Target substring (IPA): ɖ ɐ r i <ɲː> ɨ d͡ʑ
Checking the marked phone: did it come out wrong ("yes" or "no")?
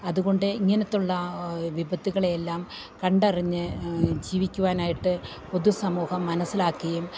no